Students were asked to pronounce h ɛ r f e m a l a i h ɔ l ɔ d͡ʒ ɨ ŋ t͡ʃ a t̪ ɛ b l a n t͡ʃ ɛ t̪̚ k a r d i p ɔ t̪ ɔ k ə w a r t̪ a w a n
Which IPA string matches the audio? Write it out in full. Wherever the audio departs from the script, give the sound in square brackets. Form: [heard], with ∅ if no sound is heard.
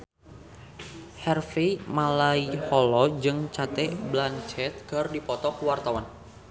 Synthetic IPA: h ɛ r f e m a l a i h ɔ l ɔ d͡ʒ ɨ ŋ t͡ʃ a t̪ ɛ b l a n t͡ʃ ɛ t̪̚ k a r d i p ɔ t̪ ɔ k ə w a r t̪ a w a n